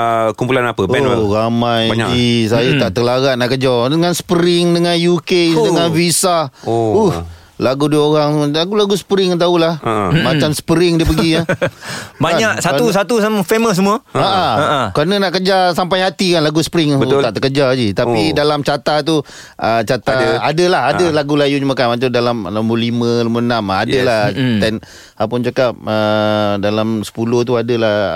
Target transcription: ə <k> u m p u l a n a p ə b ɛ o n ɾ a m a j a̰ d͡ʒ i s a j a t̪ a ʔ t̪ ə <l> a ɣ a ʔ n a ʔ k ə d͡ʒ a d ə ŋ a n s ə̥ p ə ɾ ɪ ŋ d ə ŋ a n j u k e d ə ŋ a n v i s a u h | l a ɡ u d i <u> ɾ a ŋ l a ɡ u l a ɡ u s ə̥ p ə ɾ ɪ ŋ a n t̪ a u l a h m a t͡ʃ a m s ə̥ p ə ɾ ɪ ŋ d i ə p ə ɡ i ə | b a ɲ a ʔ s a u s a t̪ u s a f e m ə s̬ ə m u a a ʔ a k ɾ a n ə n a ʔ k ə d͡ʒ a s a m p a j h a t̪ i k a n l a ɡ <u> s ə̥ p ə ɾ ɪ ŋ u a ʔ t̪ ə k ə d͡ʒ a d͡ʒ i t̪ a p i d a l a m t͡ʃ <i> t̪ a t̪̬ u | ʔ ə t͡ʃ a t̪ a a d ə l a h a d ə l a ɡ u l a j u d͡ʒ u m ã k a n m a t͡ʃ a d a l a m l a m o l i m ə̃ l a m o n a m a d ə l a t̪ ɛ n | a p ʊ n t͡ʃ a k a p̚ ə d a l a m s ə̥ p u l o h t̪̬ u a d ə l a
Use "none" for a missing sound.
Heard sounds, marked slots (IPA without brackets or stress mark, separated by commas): k, l, o, u, a